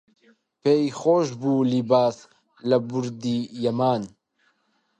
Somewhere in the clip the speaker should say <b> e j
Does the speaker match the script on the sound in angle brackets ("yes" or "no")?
no